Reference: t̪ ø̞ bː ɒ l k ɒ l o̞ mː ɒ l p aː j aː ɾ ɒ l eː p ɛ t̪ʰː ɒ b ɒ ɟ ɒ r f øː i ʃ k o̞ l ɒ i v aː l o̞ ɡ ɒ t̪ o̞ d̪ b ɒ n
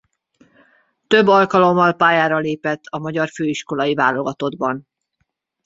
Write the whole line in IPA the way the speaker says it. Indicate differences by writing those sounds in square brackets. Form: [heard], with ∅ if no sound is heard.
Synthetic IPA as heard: t̪ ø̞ bː ɒ l k ɒ l o̞ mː ɒ l p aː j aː ɾ ɒ l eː p ɛ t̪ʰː ɒ [m] ɒ ɟ ɒ r f øː i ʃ k o̞ l ɒ i v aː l o̞ ɡ ɒ t̪ o̞ d̪ b ɒ n